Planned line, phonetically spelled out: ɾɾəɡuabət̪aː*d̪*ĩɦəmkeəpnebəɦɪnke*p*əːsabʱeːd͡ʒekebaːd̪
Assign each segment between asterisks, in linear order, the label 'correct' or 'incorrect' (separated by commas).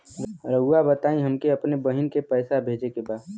incorrect, correct